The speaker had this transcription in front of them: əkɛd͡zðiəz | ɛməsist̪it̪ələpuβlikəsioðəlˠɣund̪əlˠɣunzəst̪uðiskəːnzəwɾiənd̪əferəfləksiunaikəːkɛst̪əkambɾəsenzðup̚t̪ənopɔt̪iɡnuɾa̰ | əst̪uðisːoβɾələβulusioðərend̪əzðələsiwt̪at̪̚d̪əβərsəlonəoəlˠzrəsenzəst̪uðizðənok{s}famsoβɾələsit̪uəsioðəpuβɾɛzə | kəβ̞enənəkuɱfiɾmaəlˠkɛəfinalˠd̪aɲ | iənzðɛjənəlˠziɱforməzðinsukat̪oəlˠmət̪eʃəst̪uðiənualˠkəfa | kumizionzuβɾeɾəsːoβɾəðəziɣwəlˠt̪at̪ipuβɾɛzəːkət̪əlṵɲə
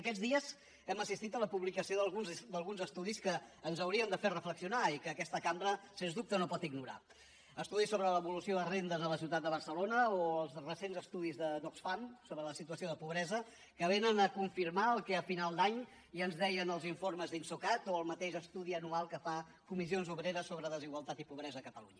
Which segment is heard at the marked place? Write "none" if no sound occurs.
s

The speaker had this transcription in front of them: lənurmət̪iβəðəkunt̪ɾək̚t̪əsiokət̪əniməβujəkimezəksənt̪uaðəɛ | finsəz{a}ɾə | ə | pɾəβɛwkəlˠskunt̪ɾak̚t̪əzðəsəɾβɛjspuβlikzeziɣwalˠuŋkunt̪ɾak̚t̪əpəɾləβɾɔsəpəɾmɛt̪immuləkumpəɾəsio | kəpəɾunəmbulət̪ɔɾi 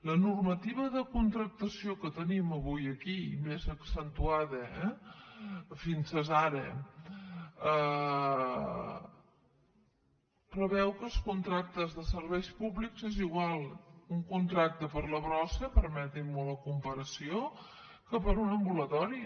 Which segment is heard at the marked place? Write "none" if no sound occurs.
a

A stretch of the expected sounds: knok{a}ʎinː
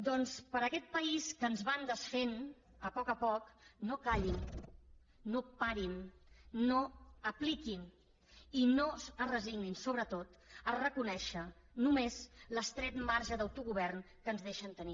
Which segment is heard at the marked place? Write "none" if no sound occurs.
a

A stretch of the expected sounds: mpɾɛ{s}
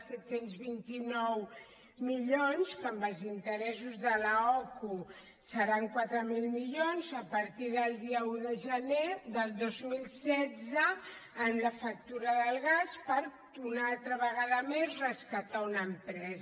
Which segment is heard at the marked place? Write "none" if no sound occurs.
z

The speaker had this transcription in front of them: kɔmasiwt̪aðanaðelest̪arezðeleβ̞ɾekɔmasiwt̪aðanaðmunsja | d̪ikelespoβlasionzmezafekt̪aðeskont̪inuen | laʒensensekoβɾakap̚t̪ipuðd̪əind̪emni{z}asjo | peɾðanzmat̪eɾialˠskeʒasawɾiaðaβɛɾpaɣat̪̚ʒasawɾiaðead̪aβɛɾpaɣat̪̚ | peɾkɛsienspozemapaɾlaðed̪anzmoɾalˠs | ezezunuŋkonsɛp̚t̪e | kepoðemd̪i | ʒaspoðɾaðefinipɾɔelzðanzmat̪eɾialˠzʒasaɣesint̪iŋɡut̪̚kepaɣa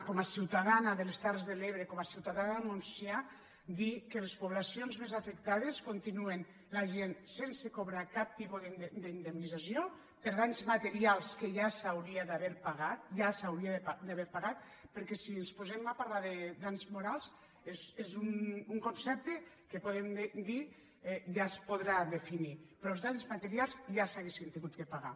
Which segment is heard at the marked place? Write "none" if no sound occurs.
z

